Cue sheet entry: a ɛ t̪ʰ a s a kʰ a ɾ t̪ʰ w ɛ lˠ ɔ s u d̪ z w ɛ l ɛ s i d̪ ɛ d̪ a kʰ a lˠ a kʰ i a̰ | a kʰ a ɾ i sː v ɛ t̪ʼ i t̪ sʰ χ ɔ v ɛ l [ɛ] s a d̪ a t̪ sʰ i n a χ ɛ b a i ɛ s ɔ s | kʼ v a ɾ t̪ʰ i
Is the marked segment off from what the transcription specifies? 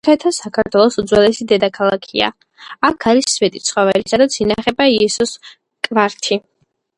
yes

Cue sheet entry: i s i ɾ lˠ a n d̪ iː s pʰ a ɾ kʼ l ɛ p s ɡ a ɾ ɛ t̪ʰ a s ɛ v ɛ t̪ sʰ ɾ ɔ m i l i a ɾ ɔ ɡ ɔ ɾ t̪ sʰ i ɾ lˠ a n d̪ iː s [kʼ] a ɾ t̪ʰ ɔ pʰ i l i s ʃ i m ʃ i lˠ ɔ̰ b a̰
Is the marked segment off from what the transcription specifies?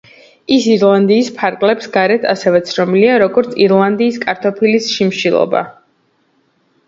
no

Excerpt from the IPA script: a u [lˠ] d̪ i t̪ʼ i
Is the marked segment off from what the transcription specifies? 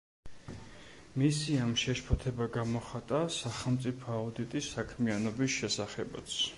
yes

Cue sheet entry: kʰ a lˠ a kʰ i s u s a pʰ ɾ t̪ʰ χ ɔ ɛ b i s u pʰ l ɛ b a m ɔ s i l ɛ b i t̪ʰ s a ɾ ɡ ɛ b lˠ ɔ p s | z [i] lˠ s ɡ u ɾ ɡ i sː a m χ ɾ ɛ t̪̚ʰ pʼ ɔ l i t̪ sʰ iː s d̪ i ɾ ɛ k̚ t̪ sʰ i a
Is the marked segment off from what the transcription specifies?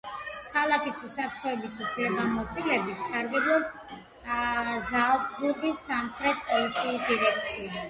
yes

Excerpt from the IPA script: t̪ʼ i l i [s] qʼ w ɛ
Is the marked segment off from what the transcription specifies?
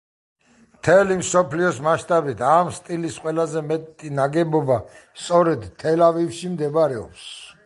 no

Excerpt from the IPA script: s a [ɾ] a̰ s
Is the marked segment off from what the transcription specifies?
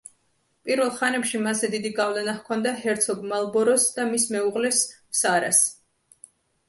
no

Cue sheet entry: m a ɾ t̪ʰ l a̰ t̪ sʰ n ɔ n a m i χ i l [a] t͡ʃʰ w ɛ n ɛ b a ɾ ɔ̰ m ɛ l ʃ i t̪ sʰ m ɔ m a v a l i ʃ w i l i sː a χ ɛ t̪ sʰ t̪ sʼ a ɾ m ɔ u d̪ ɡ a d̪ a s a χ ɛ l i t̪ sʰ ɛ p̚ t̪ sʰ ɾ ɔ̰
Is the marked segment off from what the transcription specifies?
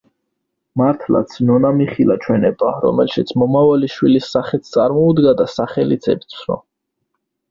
no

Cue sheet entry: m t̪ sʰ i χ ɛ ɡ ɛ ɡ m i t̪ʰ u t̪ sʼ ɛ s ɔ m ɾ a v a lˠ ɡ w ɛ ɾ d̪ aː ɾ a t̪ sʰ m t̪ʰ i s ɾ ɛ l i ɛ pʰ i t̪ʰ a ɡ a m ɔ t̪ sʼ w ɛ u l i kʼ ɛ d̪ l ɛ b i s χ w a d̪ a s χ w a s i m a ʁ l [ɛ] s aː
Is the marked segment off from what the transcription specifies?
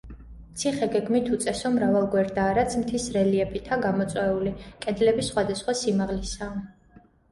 yes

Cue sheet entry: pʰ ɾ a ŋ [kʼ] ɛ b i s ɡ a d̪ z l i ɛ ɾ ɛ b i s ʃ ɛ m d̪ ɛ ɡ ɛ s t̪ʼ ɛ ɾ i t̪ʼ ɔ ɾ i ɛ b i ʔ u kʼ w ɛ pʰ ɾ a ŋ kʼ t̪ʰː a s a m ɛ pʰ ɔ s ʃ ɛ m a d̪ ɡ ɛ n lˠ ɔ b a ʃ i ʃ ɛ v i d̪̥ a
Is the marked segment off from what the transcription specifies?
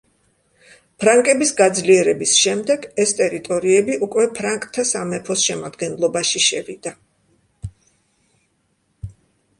no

